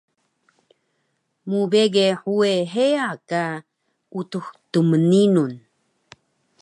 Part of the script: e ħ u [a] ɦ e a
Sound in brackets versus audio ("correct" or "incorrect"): incorrect